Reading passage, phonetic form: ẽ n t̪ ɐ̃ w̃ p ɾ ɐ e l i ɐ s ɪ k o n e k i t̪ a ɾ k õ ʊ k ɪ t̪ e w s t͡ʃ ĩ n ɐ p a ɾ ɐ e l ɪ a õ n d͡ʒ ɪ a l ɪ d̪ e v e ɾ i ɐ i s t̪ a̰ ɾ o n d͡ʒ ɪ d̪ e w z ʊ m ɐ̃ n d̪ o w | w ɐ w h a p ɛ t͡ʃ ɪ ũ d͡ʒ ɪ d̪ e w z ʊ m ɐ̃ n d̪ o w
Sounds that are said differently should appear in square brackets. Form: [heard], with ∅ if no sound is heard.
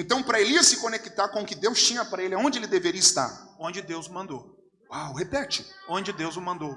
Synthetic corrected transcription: ẽ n t̪ ɐ̃ w̃ p ɾ ɐ e l i ɐ s ɪ k o n e k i t̪ a ɾ k õ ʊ k ɪ [d̪] e w s t͡ʃ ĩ [ɲ] ɐ p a ɾ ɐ e l ɪ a õ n d͡ʒ ɪ [e] l ɪ d̪ e v e ɾ i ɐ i s t̪ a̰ ɾ [õ] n d͡ʒ ɪ d̪ e w z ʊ m ɐ̃ n d̪ o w | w [a] w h [e] p ɛ t͡ʃ ɪ [õ] d͡ʒ ɪ d̪ e w z ʊ m ɐ̃ n d̪ o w